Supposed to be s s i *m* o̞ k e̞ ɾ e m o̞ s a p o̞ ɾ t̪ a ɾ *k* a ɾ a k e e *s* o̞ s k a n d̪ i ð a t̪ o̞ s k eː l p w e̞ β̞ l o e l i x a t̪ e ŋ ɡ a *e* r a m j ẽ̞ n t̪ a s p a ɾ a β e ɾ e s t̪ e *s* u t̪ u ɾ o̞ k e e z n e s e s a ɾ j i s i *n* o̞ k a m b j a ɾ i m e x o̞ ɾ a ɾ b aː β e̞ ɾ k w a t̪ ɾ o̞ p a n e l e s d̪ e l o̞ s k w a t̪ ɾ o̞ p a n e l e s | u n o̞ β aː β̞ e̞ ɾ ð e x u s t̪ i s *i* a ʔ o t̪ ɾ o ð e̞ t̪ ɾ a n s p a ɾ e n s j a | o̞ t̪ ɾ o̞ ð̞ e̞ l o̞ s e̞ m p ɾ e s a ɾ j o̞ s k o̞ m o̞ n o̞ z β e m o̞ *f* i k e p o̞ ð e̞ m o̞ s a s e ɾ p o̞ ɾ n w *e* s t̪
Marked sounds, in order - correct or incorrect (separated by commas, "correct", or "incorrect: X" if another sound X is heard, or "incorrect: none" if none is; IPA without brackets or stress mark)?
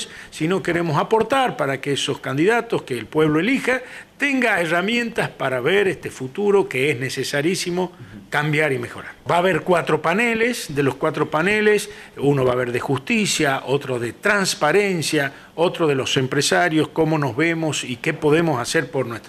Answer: incorrect: n, incorrect: p, correct, correct, incorrect: f, incorrect: m, incorrect: j, incorrect: s, correct